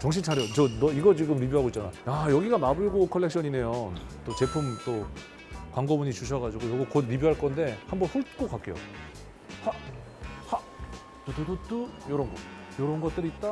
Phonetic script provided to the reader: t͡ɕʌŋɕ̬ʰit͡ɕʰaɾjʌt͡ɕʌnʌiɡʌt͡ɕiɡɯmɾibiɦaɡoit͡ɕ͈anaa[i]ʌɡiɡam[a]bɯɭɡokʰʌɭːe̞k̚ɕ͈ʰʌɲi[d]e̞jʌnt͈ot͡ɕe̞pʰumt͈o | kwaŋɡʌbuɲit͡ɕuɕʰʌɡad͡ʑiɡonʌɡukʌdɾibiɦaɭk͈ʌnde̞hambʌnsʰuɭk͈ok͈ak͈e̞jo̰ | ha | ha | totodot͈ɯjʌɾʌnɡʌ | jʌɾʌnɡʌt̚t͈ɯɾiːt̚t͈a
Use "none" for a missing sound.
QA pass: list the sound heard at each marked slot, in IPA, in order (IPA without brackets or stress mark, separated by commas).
j, a, n